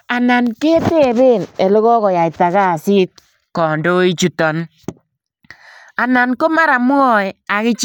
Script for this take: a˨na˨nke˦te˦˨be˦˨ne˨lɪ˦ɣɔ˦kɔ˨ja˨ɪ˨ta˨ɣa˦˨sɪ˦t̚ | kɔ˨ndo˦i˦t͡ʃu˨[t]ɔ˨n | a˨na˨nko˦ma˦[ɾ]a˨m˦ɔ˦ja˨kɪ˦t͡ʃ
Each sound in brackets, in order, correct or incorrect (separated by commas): correct, correct